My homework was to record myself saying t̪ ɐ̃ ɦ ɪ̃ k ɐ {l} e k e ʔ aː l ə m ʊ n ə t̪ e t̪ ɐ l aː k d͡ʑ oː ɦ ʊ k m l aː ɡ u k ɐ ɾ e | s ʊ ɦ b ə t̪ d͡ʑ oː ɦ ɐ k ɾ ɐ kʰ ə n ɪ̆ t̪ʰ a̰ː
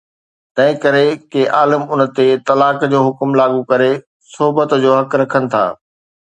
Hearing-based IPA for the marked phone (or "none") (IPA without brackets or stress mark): ɾ